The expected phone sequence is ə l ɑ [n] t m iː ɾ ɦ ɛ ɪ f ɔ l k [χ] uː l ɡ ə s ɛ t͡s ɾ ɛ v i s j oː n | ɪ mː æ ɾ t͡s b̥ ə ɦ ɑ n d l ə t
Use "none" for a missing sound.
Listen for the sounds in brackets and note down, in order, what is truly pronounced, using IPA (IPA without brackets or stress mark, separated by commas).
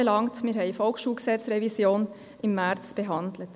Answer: ŋ, ʃ